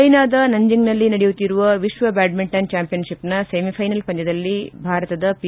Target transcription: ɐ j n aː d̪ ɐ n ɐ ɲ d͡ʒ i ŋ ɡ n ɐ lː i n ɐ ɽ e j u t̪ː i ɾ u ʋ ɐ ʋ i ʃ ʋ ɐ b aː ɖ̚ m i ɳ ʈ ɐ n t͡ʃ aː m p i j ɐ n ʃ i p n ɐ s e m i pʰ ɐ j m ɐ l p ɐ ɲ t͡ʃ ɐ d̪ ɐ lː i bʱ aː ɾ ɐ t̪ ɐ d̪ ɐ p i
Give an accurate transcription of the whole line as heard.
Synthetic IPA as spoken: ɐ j n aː d̪ ɐ n ɐ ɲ d͡ʒ i ŋ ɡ n ɐ lː i n ɐ ɽ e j u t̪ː i ɾ u ʋ ɐ ʋ i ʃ ʋ ɐ b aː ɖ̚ m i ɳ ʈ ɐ n t͡ʃ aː m p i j ɐ n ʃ i p n ɐ s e m i pʰ ɐ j n ɐ l p ɐ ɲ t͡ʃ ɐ d̪ ɐ lː i bʱ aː ɾ ɐ t̪ ɐ d̪ ɐ p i